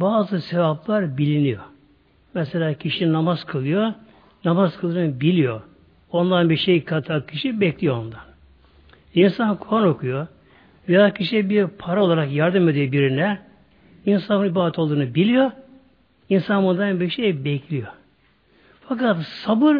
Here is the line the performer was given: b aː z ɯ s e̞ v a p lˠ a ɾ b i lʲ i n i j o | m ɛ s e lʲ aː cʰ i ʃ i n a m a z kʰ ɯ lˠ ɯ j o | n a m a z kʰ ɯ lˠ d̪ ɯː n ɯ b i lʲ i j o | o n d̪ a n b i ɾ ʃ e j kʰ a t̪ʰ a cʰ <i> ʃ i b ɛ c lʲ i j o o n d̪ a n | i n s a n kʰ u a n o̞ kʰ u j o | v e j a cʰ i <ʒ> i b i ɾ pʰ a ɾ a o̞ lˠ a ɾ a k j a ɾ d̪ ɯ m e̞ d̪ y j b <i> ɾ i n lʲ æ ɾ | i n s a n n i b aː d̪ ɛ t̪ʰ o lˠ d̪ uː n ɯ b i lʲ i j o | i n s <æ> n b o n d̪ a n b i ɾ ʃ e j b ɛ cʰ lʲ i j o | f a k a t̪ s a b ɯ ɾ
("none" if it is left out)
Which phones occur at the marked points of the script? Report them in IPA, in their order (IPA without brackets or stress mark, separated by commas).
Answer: i, ʃ, i, a